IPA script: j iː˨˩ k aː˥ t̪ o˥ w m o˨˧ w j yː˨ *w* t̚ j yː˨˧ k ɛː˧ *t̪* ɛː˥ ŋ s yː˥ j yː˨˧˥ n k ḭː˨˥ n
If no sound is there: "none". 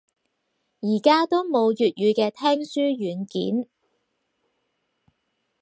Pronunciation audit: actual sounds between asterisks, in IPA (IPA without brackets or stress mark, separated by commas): none, t̪ʰ